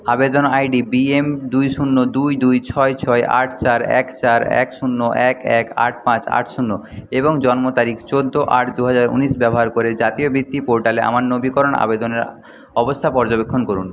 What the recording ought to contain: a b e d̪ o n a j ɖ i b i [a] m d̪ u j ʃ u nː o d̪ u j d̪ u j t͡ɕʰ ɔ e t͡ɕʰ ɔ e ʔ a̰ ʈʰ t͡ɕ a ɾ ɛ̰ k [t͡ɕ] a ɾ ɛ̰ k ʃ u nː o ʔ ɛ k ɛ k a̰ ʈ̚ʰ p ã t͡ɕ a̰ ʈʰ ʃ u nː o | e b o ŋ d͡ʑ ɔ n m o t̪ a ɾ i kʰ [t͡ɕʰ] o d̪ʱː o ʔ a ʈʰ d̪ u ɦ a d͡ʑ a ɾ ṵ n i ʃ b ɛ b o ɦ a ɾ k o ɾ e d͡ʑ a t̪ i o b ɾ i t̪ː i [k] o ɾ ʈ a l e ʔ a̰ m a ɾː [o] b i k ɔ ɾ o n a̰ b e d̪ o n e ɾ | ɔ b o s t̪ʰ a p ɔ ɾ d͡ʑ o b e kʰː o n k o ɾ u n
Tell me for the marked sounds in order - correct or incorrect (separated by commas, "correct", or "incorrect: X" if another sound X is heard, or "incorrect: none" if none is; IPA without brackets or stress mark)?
incorrect: e, correct, incorrect: t͡ɕ, incorrect: p, correct